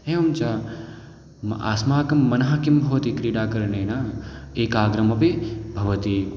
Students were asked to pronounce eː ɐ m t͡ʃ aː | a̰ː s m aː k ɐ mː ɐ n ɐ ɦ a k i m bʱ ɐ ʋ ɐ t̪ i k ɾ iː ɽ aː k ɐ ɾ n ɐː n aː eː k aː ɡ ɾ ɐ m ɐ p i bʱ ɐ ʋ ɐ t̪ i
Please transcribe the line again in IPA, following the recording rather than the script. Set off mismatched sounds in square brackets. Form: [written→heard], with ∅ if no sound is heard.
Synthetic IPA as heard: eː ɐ m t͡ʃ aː | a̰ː s m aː k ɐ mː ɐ n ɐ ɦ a k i m bʱ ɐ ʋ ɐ t̪ i k ɾ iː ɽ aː k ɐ ɾ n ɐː n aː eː k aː ɡ ɾ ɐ m ɐ p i bʱ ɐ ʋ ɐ t̪ i